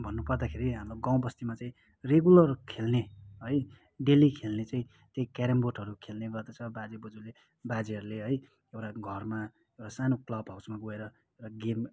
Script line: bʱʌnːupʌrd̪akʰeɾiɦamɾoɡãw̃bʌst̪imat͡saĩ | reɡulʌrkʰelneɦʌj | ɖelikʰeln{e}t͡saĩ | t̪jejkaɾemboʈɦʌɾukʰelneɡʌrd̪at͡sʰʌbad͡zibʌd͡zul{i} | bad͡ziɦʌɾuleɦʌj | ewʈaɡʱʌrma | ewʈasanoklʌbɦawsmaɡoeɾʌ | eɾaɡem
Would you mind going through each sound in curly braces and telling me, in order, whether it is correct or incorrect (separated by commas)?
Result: correct, incorrect